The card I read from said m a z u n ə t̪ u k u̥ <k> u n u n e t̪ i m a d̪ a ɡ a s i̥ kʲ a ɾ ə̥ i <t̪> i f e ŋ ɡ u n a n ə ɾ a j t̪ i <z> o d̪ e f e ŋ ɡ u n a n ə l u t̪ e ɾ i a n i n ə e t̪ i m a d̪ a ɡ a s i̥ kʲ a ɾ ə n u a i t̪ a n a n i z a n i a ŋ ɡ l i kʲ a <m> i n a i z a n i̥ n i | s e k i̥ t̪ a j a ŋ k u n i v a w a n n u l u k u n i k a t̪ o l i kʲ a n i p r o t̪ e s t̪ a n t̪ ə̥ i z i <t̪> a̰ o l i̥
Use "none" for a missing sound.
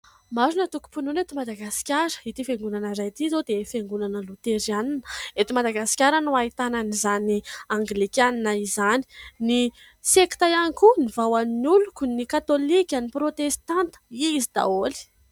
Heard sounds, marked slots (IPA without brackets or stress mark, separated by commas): p, t̪, z, n, d̪